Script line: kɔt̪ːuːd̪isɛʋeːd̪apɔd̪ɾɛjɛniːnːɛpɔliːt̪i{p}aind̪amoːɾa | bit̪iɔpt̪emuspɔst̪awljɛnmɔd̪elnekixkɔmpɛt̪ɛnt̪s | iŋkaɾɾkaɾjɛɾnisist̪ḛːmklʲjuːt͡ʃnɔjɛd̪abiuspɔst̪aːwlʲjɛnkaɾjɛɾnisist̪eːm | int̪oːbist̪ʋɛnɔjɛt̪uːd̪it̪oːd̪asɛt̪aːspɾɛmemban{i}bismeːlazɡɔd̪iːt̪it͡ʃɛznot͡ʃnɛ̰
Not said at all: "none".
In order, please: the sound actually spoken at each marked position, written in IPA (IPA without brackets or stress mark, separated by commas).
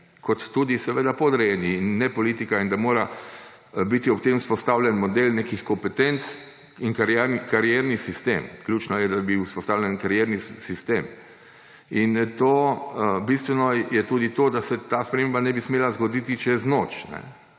k, ɛ